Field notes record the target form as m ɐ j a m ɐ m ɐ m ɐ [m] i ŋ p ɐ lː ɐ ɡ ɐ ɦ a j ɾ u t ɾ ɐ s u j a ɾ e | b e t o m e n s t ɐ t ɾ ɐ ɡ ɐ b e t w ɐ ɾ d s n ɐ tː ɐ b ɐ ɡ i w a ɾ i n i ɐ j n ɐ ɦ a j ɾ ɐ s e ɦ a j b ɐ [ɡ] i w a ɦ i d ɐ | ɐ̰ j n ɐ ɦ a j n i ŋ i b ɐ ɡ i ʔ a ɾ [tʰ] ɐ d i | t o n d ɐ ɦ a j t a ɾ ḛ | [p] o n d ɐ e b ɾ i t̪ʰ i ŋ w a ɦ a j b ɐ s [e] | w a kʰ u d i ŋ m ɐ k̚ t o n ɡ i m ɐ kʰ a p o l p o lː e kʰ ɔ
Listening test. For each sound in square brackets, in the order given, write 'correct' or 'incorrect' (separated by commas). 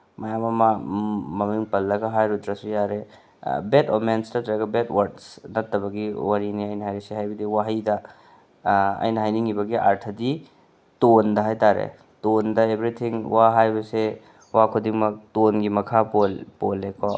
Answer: correct, incorrect, correct, incorrect, correct